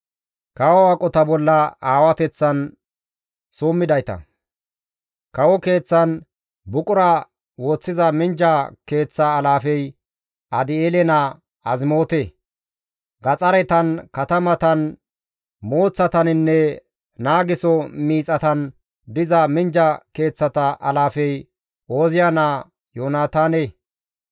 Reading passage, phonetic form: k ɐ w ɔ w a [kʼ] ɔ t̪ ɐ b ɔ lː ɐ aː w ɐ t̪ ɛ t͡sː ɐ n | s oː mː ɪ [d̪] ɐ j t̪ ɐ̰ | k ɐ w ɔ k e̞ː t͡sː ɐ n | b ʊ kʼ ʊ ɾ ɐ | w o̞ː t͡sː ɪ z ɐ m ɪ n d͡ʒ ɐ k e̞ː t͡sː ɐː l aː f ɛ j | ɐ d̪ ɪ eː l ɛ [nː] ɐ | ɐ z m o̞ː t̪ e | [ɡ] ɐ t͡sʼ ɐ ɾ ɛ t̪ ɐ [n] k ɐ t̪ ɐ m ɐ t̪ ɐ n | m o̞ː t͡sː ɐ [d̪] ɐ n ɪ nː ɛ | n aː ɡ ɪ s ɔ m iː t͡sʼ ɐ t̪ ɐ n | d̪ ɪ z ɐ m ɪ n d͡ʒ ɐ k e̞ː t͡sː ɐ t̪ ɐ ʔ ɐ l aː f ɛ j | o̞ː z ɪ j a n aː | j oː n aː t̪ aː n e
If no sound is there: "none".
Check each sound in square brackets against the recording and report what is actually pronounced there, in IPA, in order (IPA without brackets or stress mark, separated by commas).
kʼ, d̪, n, ɡ, n, t̪